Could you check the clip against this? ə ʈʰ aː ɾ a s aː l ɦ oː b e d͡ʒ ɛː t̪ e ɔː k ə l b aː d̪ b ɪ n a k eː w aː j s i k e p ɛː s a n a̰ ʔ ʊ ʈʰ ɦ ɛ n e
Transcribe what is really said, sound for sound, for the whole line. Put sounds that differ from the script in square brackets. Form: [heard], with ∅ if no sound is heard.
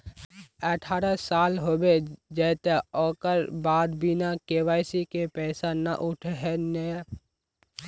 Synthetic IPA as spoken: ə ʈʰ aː ɾ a s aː l ɦ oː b e d͡ʒ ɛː t̪ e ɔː k ə [ɾ] b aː d̪ b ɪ n a k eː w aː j s i k e p ɛː s a n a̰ ʔ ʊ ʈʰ ɦ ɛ n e